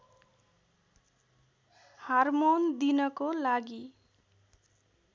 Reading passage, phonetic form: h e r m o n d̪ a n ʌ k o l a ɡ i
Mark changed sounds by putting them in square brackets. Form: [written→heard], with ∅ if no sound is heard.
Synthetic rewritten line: h [e→a] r m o n d̪ [a→i] n ʌ k o l a ɡ i